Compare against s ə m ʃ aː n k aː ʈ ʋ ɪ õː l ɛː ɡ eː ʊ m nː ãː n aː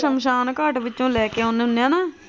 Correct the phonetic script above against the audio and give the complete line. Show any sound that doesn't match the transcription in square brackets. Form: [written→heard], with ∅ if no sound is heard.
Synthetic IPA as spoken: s ə m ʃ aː n k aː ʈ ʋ ɪ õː l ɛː [ɡ→k] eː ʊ [m→n] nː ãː n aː